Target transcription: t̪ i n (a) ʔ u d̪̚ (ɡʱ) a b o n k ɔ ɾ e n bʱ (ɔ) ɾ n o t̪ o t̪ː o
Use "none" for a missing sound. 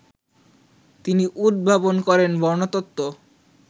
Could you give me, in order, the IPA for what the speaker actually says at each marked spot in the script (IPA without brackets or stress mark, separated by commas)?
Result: i, bʱ, ɔ